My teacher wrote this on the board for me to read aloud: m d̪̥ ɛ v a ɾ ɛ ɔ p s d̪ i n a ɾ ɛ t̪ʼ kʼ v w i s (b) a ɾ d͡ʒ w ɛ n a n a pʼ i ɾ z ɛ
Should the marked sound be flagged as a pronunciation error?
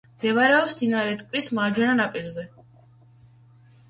yes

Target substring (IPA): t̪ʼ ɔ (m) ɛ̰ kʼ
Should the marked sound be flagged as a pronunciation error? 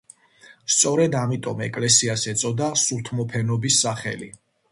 no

